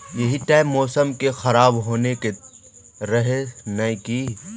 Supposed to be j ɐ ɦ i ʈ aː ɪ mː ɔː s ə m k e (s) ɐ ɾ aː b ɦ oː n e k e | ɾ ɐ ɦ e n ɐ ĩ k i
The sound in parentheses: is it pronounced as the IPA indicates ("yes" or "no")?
no